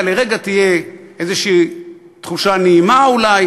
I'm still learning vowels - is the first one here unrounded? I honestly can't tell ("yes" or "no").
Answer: yes